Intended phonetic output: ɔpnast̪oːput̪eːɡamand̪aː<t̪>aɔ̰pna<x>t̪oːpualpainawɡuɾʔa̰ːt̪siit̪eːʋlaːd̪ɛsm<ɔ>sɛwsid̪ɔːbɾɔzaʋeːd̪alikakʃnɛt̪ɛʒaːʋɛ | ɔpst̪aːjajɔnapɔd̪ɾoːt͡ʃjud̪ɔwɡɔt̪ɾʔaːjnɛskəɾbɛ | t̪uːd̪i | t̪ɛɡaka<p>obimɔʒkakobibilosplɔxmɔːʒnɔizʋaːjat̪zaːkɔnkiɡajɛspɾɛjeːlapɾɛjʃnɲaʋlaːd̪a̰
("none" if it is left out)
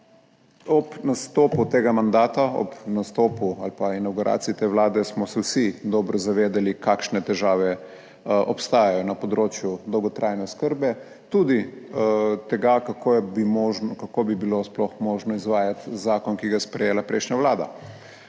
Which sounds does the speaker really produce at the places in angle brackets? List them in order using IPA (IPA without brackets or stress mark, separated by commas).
t̪, s, ɔ, k